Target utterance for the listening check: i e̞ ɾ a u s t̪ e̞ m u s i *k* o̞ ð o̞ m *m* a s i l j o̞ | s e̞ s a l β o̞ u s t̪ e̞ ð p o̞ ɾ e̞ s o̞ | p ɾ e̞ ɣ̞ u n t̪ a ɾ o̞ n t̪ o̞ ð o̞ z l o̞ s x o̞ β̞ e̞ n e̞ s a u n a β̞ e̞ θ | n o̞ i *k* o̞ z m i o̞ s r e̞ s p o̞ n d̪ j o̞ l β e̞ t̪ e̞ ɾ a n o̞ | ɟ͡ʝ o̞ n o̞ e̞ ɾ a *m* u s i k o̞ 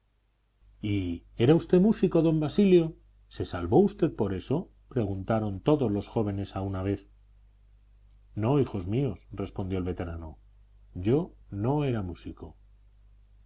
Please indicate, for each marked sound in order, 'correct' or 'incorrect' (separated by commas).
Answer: correct, incorrect, incorrect, correct